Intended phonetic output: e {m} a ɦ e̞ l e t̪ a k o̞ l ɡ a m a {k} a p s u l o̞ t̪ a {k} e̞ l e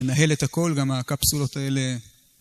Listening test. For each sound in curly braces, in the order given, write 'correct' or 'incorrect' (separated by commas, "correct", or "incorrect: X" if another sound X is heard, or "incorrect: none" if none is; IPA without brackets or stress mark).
incorrect: n, correct, incorrect: none